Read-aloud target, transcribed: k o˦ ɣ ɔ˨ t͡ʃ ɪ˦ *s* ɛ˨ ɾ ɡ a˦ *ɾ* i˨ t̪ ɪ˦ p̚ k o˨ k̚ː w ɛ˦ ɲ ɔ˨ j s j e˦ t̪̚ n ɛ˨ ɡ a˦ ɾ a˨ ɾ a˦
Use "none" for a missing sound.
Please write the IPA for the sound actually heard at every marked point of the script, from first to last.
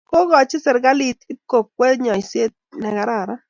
s, l

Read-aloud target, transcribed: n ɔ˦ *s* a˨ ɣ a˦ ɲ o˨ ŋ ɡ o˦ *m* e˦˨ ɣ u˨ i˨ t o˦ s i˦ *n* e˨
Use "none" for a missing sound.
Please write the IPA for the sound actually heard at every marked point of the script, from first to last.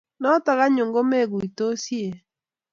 t, m, none

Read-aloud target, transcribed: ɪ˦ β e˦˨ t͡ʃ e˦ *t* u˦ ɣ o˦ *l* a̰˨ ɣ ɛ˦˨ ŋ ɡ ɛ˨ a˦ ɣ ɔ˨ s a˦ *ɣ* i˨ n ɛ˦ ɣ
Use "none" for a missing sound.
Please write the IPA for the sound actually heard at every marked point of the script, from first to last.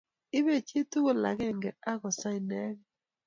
t, l, none

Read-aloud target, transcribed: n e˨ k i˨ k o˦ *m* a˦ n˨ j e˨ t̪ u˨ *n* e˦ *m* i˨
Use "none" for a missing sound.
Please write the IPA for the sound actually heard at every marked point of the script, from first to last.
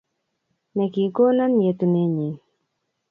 n, n, ɲ

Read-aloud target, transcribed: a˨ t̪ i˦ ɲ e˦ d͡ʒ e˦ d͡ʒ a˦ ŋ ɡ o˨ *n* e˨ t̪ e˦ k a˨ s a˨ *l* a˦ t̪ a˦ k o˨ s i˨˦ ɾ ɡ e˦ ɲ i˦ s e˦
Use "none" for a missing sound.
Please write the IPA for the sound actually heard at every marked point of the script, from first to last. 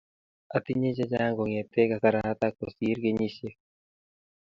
ŋ, ɾ

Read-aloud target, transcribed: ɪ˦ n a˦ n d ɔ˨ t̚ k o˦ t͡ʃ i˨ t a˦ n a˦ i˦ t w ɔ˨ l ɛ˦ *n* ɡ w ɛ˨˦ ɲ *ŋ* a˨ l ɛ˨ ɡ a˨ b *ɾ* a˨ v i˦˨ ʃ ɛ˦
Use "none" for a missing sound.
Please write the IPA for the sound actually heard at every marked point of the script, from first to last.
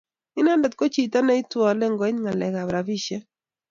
ŋ, ŋ, ɾ

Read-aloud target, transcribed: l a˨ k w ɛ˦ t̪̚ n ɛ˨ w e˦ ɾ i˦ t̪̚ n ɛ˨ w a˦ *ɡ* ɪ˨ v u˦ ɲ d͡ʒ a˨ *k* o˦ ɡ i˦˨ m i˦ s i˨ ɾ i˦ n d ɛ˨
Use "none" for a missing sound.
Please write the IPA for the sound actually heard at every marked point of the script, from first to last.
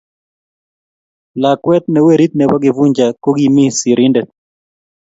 ɡ, k

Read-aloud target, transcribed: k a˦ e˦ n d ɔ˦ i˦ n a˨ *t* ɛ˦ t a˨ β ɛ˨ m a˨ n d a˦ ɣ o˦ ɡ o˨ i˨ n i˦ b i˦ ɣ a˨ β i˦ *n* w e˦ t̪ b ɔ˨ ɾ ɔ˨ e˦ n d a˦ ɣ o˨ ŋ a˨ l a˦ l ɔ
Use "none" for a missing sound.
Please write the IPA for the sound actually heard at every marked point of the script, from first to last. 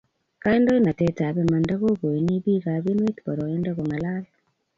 t, n

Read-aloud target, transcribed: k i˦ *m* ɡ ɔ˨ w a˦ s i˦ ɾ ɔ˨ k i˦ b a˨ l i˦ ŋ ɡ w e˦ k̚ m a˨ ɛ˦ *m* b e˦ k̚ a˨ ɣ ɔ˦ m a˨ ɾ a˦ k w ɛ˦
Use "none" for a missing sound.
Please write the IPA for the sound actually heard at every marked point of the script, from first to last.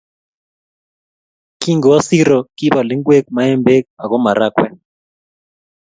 ŋ, m

